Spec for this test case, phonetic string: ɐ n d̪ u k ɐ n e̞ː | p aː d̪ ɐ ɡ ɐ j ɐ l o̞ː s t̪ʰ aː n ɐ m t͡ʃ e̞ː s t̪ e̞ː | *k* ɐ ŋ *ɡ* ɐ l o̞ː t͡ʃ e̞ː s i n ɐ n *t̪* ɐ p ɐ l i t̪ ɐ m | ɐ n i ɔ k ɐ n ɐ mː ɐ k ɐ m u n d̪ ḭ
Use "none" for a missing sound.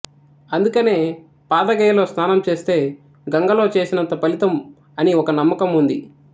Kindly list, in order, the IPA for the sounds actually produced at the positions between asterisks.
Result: ɡ, ɡ, t̪

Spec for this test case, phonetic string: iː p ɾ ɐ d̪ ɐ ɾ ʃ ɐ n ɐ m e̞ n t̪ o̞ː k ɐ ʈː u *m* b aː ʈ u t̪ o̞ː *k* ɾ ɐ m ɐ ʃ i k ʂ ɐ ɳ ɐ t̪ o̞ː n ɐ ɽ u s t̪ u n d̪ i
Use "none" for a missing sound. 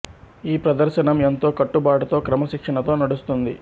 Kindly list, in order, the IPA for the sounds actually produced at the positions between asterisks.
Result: none, k

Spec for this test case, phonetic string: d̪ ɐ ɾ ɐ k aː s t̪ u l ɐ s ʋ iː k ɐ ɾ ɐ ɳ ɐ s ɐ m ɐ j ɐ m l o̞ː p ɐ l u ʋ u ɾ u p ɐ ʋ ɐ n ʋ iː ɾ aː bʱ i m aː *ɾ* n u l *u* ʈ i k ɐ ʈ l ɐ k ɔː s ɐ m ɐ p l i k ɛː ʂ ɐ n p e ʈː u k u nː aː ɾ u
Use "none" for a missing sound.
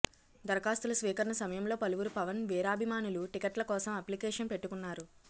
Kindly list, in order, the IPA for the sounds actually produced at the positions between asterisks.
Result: none, u

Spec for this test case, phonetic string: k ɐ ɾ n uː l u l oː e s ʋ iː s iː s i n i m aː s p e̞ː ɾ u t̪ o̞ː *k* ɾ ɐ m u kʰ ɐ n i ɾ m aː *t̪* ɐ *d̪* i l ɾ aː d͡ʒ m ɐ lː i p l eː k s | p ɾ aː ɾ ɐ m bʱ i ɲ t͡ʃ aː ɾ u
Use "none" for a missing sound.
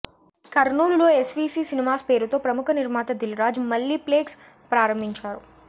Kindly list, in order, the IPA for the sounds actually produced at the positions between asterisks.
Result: p, t̪, d̪

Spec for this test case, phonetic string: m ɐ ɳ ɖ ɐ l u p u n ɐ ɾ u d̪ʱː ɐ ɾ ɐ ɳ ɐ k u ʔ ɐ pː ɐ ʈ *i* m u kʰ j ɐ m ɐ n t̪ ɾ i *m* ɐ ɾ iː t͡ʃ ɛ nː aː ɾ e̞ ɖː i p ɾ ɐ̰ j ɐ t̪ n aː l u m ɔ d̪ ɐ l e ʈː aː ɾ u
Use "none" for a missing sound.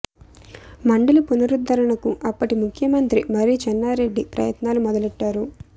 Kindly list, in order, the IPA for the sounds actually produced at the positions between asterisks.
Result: i, m

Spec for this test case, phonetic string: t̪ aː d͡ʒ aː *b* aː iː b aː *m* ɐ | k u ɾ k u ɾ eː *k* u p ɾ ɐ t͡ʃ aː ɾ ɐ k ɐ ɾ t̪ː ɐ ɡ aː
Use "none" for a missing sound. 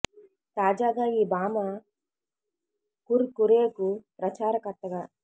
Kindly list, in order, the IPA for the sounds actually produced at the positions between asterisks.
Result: ɡ, m, k

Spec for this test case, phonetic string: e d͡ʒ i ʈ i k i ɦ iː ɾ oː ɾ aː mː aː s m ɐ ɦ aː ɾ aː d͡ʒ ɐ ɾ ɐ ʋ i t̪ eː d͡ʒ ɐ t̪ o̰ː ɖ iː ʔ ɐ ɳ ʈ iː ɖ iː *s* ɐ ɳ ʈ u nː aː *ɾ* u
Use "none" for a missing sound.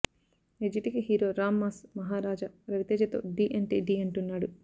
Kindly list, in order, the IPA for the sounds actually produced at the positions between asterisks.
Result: none, ɽ

